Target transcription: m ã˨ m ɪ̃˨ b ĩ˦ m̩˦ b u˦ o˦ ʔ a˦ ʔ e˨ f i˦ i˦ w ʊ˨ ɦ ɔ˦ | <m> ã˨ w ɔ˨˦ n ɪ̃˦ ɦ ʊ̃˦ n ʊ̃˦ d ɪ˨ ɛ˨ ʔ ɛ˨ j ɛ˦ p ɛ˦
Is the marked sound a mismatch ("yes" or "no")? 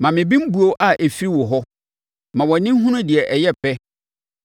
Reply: no